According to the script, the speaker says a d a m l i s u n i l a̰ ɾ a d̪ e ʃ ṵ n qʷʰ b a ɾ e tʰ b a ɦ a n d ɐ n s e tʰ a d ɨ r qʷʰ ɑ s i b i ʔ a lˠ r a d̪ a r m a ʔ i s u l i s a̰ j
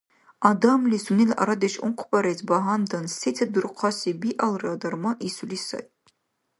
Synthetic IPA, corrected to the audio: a d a m l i s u n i l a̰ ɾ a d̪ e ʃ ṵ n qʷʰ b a ɾ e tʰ b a ɦ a n d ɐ n s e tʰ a d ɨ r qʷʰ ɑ s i b i ʔ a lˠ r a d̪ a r m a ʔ i s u l i s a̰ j